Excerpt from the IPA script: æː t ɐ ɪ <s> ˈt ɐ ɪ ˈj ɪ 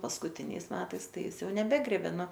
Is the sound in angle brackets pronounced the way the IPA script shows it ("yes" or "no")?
yes